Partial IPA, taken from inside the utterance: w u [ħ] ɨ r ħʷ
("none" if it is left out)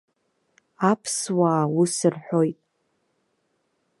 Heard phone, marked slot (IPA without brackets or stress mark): s